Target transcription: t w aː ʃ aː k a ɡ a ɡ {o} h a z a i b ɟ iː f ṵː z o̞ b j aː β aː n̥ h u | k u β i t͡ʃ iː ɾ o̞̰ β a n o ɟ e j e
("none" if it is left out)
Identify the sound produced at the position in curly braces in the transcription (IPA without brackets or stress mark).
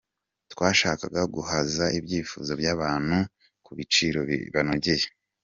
u